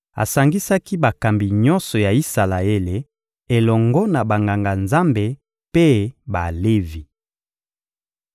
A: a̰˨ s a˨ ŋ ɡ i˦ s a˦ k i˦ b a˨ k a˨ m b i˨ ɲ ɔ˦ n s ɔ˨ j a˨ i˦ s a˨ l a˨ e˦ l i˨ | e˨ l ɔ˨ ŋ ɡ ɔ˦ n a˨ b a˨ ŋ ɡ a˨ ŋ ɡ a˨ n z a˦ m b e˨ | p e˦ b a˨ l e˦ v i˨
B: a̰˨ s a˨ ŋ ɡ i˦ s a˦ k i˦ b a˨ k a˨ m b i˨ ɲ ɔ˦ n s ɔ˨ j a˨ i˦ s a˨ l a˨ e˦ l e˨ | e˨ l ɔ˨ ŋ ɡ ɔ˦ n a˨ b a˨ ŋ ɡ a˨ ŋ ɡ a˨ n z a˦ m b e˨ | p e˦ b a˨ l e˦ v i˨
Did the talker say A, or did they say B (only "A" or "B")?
B